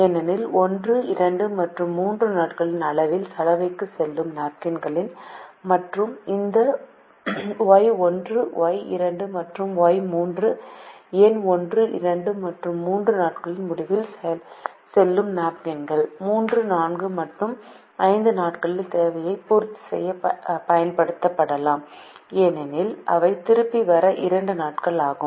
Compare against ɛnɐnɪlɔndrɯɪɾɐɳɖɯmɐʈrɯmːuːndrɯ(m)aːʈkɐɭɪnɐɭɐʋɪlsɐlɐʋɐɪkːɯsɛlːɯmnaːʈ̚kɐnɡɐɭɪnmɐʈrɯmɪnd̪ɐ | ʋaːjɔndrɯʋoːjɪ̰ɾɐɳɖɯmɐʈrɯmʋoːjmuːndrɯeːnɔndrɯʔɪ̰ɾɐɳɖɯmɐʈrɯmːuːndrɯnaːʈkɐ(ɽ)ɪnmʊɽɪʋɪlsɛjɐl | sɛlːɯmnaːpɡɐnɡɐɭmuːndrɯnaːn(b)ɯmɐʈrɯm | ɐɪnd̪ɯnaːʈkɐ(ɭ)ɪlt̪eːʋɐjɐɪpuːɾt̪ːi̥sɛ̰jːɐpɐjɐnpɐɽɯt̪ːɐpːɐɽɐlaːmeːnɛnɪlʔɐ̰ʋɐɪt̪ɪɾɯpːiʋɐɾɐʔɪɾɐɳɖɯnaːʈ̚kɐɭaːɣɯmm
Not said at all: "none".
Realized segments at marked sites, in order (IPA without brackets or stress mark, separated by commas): n, ɭ, ɡ, ɭ